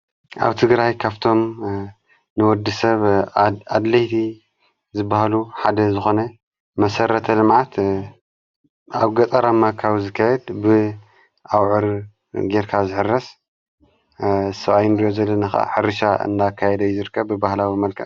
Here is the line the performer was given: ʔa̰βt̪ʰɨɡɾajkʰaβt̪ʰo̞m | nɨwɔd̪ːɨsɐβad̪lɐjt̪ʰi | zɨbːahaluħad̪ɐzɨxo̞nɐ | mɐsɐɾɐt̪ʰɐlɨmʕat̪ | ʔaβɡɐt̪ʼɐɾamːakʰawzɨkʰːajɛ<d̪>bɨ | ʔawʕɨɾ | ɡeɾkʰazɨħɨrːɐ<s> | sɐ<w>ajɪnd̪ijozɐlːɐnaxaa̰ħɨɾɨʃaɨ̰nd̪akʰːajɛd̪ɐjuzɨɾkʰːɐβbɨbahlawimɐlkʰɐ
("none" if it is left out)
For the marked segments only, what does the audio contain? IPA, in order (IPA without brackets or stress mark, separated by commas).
d̪, s, β